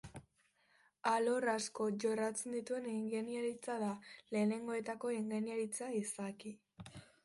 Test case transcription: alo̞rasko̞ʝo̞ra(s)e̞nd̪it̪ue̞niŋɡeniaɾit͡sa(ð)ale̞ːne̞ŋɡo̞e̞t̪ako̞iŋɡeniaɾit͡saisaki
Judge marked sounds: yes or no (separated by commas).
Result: no, yes